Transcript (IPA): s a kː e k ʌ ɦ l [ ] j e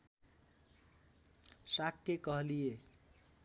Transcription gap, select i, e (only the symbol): i